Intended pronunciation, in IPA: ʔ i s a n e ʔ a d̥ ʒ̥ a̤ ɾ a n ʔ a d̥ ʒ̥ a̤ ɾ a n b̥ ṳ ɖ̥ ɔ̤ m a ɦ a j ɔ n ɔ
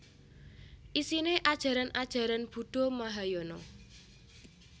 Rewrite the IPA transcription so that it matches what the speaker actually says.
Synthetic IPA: ʔ i s i n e ʔ a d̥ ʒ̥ a̤ ɾ a n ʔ a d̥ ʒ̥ a̤ ɾ a n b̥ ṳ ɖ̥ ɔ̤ m a ɦ a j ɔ n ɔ